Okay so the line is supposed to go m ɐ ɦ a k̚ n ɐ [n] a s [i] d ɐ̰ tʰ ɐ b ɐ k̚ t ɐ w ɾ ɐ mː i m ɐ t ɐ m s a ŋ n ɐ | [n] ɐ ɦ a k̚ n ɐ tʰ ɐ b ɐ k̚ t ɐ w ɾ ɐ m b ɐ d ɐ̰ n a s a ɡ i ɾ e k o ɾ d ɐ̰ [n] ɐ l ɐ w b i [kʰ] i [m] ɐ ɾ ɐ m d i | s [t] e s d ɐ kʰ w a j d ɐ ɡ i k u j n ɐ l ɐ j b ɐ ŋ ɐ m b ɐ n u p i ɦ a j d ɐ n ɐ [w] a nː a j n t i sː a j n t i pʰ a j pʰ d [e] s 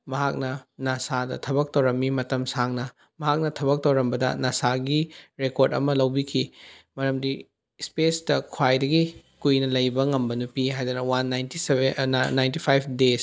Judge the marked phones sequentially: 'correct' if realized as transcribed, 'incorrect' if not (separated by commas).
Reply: correct, incorrect, incorrect, incorrect, correct, correct, incorrect, correct, correct